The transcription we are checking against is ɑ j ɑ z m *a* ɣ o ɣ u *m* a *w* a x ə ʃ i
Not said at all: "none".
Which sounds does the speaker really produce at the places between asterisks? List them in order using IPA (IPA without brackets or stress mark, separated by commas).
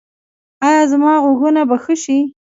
ɑ, n, b